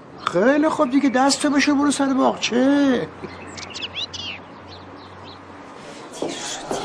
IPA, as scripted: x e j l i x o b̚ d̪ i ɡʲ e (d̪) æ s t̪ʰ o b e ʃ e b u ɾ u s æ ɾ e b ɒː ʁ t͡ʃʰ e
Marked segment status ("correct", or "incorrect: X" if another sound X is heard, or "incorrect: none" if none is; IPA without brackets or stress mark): correct